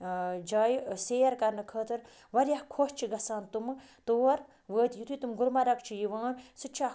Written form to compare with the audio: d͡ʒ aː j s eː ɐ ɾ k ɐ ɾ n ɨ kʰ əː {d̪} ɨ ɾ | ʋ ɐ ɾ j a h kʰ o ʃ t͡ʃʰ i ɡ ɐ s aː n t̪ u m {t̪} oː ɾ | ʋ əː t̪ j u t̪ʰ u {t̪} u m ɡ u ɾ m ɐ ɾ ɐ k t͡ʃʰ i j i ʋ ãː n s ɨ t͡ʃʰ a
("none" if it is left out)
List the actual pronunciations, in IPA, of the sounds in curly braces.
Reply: t̪, t̪, t̪

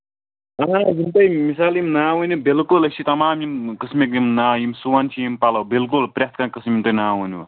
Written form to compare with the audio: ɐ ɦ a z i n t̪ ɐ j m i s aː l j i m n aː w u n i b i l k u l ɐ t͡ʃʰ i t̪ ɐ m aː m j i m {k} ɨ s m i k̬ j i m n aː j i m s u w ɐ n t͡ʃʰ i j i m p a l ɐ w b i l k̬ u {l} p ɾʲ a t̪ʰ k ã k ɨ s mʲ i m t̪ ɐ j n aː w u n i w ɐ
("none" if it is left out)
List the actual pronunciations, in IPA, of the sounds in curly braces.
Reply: k, l

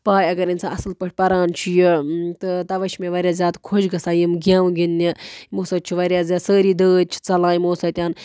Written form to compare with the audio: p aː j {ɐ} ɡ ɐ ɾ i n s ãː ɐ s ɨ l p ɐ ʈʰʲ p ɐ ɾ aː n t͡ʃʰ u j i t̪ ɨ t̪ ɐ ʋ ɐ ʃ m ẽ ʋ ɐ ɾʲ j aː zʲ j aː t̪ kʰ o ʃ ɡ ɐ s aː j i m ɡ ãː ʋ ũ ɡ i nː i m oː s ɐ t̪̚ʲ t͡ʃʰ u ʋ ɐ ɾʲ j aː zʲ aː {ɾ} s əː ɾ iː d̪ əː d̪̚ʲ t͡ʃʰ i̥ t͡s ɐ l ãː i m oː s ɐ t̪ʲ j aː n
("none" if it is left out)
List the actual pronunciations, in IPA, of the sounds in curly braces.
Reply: ɐ, none

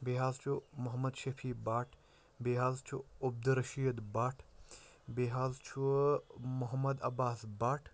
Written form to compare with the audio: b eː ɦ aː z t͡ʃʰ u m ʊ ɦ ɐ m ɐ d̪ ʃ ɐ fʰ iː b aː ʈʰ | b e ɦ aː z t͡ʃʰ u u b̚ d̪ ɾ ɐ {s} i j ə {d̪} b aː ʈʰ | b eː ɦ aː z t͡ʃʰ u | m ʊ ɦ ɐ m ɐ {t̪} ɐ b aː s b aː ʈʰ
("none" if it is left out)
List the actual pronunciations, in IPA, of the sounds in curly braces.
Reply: ʃ, d̪, d̪

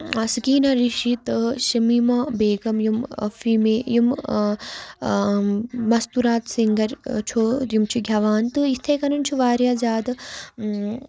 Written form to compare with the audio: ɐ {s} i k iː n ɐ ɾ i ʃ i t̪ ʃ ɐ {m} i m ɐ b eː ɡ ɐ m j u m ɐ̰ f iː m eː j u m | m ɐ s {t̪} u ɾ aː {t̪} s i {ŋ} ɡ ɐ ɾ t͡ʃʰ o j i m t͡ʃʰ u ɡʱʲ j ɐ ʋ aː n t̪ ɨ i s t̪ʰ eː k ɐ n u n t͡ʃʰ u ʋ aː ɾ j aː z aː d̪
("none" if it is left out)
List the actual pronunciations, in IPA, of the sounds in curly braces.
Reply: s, m, t̪, t̪, ŋ

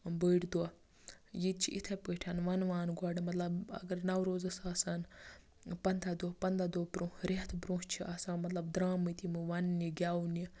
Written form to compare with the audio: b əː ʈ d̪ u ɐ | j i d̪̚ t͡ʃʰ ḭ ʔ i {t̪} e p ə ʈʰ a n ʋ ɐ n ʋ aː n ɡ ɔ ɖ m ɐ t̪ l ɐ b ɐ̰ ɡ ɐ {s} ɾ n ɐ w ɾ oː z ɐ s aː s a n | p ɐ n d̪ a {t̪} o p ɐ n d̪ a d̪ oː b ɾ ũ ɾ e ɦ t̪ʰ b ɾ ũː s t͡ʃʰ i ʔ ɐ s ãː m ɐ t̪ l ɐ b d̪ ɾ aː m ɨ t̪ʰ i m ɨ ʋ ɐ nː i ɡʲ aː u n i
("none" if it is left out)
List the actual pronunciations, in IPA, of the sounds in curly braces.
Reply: t̪ʰ, none, d̪

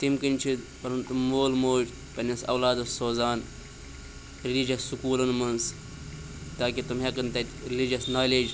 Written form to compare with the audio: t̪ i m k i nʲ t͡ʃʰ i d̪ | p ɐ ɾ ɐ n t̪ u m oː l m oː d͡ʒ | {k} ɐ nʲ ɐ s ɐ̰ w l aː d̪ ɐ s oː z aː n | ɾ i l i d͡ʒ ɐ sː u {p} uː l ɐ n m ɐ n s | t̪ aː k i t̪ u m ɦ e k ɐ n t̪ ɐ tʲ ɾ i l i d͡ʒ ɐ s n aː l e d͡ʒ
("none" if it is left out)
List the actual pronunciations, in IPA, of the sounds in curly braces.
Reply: p, k

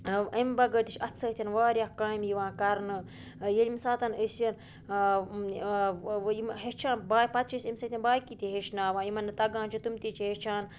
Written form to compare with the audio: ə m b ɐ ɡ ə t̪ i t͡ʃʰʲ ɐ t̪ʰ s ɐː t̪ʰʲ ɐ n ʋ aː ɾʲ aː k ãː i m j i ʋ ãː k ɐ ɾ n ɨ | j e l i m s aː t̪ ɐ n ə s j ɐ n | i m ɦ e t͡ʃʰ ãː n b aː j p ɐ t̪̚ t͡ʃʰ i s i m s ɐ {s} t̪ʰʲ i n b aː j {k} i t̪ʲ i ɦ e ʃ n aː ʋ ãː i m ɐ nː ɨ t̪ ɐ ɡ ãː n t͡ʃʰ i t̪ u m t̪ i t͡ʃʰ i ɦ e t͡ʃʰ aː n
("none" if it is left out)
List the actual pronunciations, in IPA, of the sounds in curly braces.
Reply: none, k

